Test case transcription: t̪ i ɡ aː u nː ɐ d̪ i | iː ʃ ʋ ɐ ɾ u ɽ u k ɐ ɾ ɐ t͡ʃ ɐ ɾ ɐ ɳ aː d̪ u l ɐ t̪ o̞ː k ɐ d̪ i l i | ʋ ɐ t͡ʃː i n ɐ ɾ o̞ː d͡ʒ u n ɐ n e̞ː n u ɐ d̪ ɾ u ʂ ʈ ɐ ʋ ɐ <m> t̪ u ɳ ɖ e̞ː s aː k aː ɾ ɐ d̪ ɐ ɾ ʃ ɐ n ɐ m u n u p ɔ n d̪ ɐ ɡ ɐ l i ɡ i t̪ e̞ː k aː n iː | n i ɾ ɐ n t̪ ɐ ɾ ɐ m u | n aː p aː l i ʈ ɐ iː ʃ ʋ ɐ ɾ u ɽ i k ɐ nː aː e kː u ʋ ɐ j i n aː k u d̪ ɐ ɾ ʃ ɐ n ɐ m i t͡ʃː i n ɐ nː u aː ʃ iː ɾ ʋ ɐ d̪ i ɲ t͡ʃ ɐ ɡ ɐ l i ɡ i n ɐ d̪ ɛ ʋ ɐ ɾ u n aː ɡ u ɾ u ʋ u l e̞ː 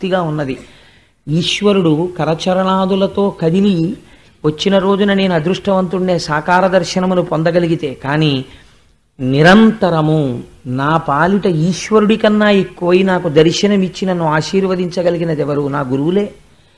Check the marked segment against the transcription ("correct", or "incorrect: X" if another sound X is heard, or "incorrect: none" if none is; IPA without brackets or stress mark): incorrect: n